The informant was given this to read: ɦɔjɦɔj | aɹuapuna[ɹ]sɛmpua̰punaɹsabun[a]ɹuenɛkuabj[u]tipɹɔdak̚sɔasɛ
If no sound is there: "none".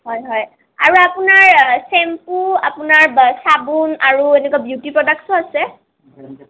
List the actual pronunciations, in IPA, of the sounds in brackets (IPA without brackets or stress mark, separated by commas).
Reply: ɹ, a, u